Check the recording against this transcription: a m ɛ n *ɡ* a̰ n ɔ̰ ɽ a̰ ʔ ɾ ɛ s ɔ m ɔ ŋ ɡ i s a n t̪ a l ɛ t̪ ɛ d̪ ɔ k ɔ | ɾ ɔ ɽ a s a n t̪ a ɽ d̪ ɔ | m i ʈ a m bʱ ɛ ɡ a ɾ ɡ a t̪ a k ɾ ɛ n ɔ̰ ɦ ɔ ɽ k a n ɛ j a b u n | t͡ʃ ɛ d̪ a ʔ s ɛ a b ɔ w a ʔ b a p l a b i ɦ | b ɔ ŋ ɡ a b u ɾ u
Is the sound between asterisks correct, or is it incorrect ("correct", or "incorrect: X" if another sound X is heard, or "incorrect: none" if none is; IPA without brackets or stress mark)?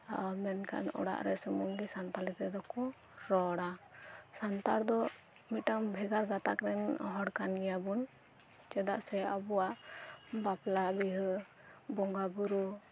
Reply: incorrect: k